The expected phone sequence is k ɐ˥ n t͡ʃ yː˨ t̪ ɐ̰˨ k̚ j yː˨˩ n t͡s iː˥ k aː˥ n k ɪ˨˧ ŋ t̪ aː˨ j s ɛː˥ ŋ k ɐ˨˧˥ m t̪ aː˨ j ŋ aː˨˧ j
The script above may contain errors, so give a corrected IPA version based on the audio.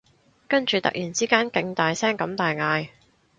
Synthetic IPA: k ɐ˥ n t͡ʃ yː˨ t̪ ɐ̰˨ k̚ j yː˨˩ n t͡s iː˥ k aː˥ n k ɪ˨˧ ŋ t̪ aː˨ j s ɛː˥ ŋ k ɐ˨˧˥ m t̪ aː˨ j ŋ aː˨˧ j